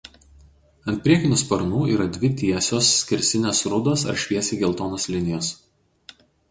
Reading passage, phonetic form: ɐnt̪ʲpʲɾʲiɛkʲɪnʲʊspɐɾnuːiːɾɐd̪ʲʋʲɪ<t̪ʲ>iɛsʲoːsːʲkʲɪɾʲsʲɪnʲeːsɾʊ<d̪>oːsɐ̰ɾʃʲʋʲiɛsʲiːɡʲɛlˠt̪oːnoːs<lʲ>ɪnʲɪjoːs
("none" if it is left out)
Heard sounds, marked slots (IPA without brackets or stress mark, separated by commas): t̪ʲ, d̪, lʲ